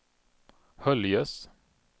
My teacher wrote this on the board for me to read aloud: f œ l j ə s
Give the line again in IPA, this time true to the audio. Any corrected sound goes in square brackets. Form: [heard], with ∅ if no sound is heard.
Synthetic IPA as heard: [h] œ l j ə s